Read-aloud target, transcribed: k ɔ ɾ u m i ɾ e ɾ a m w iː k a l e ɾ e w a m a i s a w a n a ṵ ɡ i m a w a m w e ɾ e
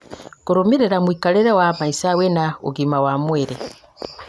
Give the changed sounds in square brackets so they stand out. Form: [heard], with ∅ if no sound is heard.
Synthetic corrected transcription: k [u] ɾ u m i ɾ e ɾ a m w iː k a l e ɾ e w a m a i s a w [e] n a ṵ ɡ i m a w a m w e ɾ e